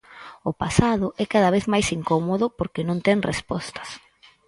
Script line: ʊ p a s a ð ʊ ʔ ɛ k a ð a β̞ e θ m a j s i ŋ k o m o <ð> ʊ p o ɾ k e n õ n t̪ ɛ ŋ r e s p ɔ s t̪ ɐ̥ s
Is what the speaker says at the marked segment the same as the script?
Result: yes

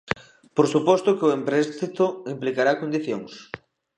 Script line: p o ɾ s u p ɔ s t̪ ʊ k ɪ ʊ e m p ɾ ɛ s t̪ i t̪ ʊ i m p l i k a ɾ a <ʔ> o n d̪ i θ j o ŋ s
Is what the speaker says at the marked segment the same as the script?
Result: no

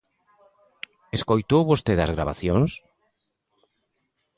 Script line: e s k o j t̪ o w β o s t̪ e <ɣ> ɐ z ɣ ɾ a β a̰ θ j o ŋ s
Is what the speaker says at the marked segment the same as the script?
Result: no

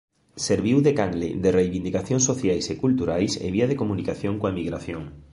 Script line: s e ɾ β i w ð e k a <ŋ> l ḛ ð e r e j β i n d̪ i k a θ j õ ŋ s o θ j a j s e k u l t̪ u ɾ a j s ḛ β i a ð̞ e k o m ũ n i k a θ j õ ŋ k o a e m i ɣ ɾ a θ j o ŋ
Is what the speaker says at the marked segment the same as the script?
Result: yes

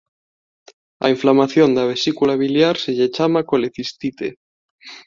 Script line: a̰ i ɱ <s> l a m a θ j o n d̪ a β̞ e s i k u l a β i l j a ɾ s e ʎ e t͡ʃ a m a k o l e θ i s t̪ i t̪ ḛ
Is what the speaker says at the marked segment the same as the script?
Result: no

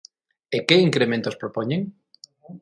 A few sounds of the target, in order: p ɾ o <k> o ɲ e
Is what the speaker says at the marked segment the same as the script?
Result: no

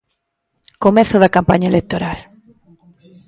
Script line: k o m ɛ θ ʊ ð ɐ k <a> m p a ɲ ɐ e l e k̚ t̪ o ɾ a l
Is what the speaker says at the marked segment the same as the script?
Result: yes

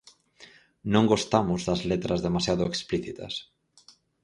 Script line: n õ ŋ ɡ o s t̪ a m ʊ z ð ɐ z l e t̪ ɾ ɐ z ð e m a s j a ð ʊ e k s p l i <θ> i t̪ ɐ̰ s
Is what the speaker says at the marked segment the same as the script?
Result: yes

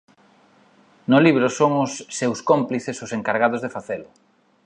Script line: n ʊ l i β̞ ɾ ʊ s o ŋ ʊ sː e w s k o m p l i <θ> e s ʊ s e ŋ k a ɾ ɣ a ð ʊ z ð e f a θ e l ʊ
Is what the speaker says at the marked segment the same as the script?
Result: yes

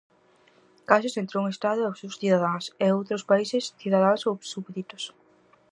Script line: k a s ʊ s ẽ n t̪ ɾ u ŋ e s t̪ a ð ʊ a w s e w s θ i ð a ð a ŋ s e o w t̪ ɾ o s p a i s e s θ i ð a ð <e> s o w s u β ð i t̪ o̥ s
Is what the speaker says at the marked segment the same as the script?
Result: no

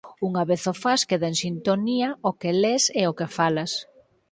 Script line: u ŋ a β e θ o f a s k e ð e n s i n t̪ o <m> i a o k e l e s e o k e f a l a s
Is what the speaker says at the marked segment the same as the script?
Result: no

